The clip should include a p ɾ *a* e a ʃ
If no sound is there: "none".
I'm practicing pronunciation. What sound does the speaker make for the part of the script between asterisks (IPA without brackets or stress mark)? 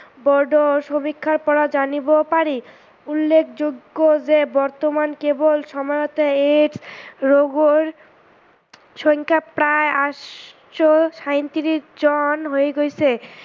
a